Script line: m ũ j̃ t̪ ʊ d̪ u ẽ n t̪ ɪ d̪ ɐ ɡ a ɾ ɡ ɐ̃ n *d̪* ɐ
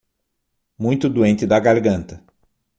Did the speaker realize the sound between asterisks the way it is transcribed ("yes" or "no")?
no